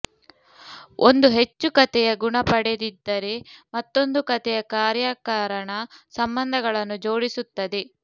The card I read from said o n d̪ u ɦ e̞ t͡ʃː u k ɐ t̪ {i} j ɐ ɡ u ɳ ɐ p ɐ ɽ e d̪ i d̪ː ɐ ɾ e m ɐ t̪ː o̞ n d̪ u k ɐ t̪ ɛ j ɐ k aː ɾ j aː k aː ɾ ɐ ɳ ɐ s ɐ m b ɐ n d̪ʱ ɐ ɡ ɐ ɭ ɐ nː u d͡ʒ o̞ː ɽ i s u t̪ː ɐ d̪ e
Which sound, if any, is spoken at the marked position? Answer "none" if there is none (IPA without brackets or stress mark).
ɛ